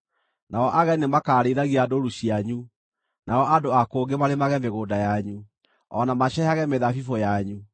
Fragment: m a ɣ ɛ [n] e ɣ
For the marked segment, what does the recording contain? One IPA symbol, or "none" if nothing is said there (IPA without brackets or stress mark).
m